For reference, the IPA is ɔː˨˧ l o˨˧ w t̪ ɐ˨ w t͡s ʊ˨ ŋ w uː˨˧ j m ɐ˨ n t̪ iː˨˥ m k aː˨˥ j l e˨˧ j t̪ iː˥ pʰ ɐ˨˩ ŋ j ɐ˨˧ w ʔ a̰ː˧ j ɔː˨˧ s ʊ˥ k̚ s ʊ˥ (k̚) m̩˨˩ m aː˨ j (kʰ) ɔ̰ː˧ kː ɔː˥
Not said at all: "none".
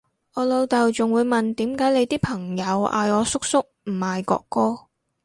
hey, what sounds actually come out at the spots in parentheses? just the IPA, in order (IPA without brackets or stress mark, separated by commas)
k̚, k